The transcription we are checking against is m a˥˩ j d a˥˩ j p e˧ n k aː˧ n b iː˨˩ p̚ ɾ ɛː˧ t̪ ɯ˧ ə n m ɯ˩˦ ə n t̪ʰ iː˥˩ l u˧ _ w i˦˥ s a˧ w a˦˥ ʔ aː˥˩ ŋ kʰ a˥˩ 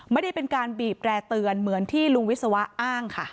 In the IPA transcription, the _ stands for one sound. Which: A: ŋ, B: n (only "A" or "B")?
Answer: A